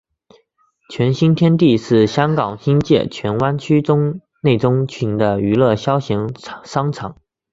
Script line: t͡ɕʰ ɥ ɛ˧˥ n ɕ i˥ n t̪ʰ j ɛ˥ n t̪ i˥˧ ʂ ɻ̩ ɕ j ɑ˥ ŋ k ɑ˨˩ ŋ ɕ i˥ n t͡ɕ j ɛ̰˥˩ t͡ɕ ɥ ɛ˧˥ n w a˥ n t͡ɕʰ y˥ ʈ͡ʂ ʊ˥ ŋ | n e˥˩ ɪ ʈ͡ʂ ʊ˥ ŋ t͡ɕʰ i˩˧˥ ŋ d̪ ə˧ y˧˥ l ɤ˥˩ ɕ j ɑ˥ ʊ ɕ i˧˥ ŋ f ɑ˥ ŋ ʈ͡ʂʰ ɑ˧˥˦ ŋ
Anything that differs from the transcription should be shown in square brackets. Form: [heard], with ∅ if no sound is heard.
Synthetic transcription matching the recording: t͡ɕʰ ɥ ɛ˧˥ n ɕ i˥ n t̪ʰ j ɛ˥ n t̪ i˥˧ ʂ ɻ̩ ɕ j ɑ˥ ŋ k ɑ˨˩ ŋ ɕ i˥ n t͡ɕ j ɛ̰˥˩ [t͡ɕʰ] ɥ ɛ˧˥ n w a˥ n t͡ɕʰ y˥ ʈ͡ʂ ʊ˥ ŋ | n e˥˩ ɪ ʈ͡ʂ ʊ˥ ŋ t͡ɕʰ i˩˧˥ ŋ d̪ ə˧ y˧˥ l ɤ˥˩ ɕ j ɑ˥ ʊ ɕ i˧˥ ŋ [ʂ] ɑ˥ ŋ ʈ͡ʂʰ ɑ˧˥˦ ŋ

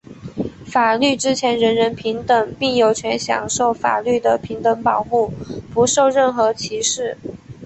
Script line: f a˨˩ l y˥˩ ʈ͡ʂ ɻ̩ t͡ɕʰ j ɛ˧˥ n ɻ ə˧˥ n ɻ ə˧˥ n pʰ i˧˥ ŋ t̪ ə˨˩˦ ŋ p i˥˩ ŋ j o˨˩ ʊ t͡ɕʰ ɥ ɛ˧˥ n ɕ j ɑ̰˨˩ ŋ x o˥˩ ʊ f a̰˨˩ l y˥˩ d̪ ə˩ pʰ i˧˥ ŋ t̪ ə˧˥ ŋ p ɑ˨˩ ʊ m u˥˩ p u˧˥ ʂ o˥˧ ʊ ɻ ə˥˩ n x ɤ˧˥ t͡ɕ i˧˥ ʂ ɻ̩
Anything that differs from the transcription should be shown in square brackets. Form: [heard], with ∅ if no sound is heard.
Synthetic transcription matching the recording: f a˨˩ l y˥˩ ʈ͡ʂ ɻ̩ t͡ɕʰ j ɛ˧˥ n ɻ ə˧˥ n ɻ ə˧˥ n pʰ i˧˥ ŋ t̪ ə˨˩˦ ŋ p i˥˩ ŋ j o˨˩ ʊ t͡ɕʰ ɥ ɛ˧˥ n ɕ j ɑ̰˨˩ ŋ [ʂ] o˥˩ ʊ f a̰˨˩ l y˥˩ d̪ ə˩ pʰ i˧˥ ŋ t̪ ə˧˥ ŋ p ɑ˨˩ ʊ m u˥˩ p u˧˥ ʂ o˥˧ ʊ ɻ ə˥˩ n x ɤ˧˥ [t͡ɕʰ] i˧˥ ʂ ɻ̩

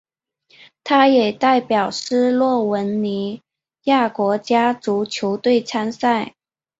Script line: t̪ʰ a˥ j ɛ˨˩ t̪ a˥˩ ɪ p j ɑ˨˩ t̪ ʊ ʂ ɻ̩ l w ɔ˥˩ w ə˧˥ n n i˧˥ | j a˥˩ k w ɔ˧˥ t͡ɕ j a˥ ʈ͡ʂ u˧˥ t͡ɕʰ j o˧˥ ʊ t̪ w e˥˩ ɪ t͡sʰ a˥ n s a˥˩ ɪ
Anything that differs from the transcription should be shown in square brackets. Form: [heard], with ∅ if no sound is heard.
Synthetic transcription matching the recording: t̪ʰ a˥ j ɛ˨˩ t̪ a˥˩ ɪ p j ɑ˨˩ [∅] ʊ ʂ ɻ̩ l w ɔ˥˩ w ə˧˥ n n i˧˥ | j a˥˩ k w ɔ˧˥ t͡ɕ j a˥ ʈ͡ʂ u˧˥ t͡ɕʰ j o˧˥ ʊ t̪ w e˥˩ ɪ t͡sʰ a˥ n s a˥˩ ɪ

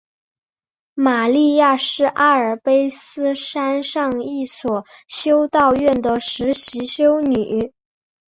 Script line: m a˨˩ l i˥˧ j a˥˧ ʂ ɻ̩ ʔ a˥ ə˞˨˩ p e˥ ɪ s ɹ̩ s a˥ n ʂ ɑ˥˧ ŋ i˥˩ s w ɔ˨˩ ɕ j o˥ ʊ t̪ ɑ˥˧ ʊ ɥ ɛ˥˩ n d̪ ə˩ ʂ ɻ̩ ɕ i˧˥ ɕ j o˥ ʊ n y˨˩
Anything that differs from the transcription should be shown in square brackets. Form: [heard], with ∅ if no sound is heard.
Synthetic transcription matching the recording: m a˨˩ l i˥˧ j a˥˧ ʂ ɻ̩ ʔ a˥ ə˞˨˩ p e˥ ɪ s ɹ̩ [ʂ] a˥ n ʂ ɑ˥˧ ŋ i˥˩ s w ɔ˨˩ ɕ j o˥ ʊ t̪ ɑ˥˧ ʊ ɥ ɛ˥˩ n d̪ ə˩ ʂ ɻ̩ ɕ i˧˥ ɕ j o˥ ʊ n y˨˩

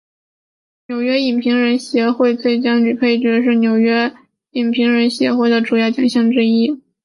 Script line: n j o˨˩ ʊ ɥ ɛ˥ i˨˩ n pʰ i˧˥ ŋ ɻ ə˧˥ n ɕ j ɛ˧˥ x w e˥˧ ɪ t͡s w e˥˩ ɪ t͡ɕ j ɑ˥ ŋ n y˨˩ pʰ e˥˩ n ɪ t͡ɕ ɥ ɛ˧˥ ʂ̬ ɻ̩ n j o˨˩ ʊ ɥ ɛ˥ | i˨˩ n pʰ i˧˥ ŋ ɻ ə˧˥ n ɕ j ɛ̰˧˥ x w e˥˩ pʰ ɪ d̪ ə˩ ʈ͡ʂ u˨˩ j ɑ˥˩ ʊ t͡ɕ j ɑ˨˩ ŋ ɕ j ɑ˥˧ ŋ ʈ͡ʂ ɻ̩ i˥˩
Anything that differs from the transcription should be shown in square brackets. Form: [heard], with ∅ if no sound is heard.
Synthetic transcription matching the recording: n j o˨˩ ʊ ɥ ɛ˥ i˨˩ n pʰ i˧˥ ŋ ɻ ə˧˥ n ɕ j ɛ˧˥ x w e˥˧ ɪ t͡s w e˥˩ ɪ t͡ɕ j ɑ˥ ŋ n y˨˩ pʰ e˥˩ [∅] ɪ t͡ɕ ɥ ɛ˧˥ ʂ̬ ɻ̩ n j o˨˩ ʊ ɥ ɛ˥ | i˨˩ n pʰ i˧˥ ŋ ɻ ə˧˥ n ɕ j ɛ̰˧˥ x w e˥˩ [∅] ɪ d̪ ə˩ ʈ͡ʂ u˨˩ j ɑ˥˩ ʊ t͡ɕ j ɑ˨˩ ŋ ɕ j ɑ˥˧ ŋ ʈ͡ʂ ɻ̩ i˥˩

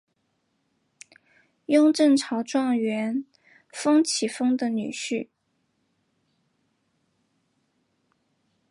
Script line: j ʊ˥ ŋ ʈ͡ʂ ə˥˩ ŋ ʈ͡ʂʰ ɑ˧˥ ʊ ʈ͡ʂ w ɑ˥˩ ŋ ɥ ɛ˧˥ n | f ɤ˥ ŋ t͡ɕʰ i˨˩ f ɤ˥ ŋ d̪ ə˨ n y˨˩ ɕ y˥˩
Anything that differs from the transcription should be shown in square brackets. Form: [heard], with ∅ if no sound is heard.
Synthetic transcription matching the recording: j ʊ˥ ŋ ʈ͡ʂ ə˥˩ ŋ ʈ͡ʂʰ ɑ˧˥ ʊ ʈ͡ʂ w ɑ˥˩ ŋ ɥ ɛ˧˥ n | f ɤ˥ ŋ t͡ɕʰ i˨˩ f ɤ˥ ŋ d̪ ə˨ n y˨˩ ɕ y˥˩

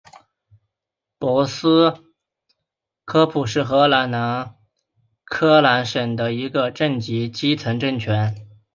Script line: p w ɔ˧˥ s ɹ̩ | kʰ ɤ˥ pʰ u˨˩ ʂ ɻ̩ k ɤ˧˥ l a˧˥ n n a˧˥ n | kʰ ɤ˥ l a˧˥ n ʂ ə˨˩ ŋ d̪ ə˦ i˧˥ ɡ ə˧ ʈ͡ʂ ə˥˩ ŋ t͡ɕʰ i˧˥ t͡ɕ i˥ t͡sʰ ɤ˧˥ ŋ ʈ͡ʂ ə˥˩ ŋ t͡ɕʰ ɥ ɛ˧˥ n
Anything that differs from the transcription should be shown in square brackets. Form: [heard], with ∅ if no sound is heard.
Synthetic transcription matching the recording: p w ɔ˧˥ s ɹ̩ | kʰ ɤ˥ pʰ u˨˩ ʂ ɻ̩ [x] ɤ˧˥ l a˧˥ n n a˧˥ n | kʰ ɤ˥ l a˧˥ n ʂ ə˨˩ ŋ d̪ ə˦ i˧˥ ɡ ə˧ ʈ͡ʂ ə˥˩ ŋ [t͡ɕ] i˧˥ t͡ɕ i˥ t͡sʰ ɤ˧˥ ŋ ʈ͡ʂ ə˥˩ ŋ t͡ɕʰ ɥ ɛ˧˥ n

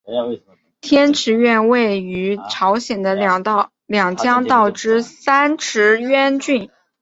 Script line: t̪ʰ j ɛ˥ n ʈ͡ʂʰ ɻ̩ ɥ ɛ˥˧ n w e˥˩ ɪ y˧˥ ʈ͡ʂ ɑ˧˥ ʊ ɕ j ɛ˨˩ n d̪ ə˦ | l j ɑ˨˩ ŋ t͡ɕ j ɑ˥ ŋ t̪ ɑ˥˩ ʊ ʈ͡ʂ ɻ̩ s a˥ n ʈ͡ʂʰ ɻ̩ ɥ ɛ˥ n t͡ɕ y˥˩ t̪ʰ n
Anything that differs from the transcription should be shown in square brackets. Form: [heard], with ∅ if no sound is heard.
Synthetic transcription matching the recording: t̪ʰ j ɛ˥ n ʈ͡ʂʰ ɻ̩ ɥ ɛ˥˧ n w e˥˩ ɪ y˧˥ [ʈ͡ʂʰ] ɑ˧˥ ʊ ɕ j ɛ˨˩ n d̪ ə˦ | l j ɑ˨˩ ŋ t͡ɕ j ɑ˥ ŋ t̪ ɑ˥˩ ʊ ʈ͡ʂ ɻ̩ s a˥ n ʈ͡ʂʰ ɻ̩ ɥ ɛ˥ n t͡ɕ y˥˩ [∅] n

